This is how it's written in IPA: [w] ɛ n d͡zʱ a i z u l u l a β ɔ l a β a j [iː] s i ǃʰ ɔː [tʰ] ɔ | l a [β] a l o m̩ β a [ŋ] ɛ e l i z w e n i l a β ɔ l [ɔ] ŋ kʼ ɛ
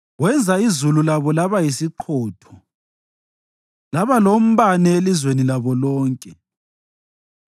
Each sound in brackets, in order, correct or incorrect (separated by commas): correct, incorrect, correct, correct, incorrect, incorrect